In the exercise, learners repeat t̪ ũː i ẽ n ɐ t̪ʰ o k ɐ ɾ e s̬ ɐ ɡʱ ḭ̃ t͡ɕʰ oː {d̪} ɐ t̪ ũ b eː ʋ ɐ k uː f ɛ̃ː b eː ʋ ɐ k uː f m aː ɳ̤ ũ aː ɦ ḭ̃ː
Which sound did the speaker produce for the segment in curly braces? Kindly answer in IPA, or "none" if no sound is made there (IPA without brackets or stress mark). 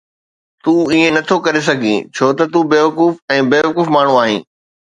t̪